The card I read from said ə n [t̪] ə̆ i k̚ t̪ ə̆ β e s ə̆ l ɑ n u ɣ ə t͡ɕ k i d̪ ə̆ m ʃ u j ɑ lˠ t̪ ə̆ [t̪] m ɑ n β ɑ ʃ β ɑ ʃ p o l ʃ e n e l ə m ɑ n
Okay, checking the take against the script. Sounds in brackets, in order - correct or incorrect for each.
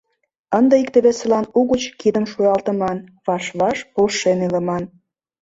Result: incorrect, incorrect

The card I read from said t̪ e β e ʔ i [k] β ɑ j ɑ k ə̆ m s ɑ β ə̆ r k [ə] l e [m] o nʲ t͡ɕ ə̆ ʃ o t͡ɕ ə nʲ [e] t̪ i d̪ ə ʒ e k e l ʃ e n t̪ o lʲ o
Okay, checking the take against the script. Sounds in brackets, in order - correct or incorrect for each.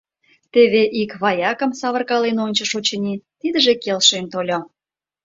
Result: correct, incorrect, incorrect, incorrect

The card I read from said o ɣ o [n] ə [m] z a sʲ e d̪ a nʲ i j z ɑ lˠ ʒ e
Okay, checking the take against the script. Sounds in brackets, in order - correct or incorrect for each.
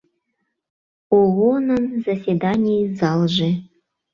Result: correct, incorrect

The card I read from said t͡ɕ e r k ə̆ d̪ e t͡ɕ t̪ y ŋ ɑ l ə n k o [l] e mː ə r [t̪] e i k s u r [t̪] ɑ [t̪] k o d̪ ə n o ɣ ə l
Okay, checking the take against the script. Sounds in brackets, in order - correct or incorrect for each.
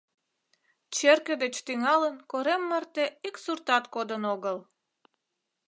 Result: incorrect, correct, correct, correct

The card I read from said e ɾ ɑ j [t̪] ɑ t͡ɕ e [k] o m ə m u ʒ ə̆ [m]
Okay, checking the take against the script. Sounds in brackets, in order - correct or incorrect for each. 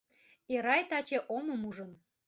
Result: correct, incorrect, incorrect

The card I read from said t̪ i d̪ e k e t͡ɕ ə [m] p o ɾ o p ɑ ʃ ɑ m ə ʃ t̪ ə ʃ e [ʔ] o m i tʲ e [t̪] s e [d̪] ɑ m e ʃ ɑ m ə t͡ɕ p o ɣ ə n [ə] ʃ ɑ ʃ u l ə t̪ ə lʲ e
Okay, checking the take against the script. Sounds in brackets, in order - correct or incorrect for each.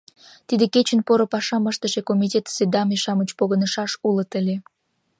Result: incorrect, incorrect, correct, correct, correct

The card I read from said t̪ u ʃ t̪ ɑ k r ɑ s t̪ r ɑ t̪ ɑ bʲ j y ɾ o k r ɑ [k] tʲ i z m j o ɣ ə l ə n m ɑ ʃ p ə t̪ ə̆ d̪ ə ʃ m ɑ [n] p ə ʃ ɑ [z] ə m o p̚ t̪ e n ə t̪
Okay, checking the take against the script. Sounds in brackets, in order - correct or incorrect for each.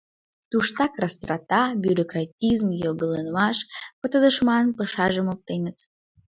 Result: incorrect, correct, incorrect

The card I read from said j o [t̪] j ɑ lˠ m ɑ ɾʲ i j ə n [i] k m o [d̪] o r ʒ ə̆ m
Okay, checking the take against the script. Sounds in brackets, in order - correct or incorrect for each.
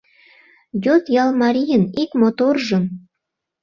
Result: correct, correct, incorrect

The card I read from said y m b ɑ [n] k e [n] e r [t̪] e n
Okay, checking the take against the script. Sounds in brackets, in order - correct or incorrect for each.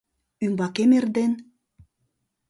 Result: incorrect, incorrect, incorrect

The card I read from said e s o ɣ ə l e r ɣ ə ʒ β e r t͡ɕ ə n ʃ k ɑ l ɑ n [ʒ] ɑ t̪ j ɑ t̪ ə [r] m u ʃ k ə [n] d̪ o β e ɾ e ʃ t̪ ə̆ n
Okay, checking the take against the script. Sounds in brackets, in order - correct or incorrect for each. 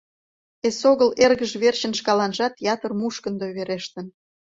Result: correct, correct, correct

